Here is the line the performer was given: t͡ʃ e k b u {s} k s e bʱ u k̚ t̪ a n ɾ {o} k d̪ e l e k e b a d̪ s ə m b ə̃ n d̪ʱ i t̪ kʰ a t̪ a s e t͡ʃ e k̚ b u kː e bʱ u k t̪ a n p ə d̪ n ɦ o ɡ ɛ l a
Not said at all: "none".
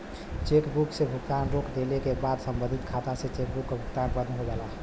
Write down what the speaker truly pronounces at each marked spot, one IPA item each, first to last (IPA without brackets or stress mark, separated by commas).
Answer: none, o